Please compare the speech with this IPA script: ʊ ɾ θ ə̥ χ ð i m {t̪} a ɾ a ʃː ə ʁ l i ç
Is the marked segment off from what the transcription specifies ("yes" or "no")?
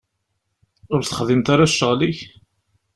no